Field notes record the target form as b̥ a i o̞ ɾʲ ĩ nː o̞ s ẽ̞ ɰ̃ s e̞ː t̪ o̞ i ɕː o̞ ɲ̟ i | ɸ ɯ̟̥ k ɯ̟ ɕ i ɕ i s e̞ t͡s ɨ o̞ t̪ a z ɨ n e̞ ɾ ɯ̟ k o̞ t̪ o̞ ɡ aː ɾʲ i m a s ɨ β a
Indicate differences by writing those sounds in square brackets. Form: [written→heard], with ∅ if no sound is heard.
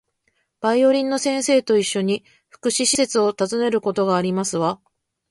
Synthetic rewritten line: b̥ a i o̞ ɾʲ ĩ nː o̞ s ẽ̞ ɰ̃ s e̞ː t̪ o̞ i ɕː o̞ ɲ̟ i | ɸ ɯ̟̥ k ɯ̟ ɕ i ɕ i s e̞ t͡s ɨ o̞ t̪ a z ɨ n e̞ ɾ ɯ̟ k o̞ t̪ o̞ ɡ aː ɾʲ i m a s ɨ β a